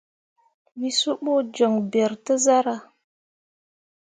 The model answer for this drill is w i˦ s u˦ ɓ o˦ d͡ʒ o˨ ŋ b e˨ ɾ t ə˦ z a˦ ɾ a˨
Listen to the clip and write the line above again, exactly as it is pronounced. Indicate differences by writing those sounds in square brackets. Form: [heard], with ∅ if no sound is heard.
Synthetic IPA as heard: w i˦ s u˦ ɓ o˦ d͡ʒ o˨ ŋ b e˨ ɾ t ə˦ z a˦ ɾ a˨